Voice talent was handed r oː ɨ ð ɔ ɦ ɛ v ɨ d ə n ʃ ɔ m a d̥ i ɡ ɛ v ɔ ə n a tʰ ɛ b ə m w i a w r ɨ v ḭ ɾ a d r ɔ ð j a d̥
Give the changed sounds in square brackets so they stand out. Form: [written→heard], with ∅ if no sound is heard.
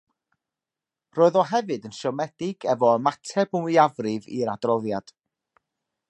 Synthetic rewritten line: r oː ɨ ð ɔ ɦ ɛ v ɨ d ə n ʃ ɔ m [a→ɛ] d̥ [i→ɪ] ɡ ɛ v ɔ ə [n→m] a tʰ ɛ b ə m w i a [w→v] r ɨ v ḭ ɾ a d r ɔ ð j a d̥